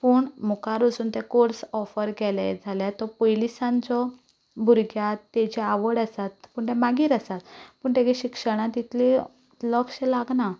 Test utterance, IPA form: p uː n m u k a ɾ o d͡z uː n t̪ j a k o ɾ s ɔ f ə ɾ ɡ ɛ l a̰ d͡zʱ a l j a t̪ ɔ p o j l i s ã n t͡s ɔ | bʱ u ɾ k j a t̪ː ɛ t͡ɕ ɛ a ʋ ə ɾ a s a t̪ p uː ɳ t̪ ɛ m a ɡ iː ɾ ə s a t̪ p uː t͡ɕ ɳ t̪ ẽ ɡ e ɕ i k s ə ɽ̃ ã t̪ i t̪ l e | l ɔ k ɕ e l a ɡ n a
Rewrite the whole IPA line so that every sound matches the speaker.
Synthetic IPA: p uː ɳ m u k a ɾ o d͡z uː n t̪ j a k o ɾ s ɔ f ə ɾ ɡ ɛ l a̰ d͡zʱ a l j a t̪ ɔ p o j l i s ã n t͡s ɔ | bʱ u ɾ ɡ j a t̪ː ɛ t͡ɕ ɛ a ʋ ə ɽ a s a t̪ p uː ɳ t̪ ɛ m a ɡ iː ɾ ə s a t̪ p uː ɳ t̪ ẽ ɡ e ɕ i k ʂ ə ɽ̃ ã t̪ i t̪ l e | l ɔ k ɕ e l a ɡ n a